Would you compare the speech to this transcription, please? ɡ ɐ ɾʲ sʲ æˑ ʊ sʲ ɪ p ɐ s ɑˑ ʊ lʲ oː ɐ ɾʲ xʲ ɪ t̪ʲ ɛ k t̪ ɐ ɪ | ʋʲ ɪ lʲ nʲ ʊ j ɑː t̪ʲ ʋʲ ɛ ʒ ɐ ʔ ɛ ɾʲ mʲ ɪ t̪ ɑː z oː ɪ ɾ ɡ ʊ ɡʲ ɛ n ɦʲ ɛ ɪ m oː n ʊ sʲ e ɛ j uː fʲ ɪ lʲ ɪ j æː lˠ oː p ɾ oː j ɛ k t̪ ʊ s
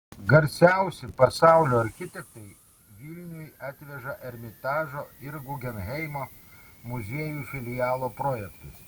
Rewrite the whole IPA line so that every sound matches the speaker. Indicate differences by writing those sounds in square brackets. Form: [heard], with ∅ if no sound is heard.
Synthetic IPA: ɡ ɐ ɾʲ sʲ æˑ ʊ sʲ ɪ p ɐ s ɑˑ ʊ lʲ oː ɐ ɾʲ xʲ ɪ t̪ʲ ɛ k t̪ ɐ ɪ | ʋʲ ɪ lʲ nʲ ʊ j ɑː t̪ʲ ʋʲ ɛ ʒ ɐ ʔ ɛ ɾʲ mʲ ɪ t̪ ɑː [ʒ] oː ɪ ɾ ɡ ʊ ɡʲ ɛ n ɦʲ ɛ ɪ m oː [m] ʊ [zʲ] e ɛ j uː fʲ ɪ lʲ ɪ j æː lˠ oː p ɾ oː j ɛ k t̪ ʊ s